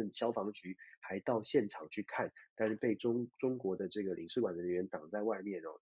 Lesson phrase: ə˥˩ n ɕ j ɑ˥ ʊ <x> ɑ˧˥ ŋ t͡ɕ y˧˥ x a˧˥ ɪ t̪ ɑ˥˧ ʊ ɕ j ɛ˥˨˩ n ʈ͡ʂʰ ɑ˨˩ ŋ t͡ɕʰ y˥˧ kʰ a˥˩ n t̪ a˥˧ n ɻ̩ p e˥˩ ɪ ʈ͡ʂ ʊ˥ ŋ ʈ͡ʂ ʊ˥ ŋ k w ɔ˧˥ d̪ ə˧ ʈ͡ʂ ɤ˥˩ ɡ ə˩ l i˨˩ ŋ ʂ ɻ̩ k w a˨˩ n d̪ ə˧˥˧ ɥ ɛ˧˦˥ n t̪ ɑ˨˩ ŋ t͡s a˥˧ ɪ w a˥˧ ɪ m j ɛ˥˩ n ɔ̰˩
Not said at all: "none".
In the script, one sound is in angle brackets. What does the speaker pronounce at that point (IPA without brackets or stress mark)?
f